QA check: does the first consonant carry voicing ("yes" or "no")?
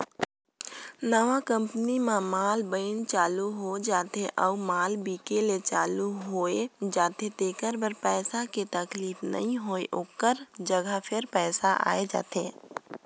yes